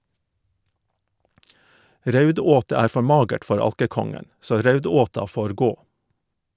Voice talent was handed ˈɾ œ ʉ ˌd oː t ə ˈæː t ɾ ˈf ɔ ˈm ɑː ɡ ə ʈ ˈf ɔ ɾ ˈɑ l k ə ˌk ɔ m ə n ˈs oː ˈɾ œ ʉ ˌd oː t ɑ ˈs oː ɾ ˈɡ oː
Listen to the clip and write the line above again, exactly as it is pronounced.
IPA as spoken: ˈɾ œ ʉ ˌd oː t ə ˈæː ɾ ˈf ɔ ˈm ɑː ɡ ə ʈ ˈf ɔ ɾ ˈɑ l k ə ˌk ɔ ŋ ə n ˈs oː ˈɾ œ ʉ ˌd oː t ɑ ˈf oː ɾ ˈɡ oː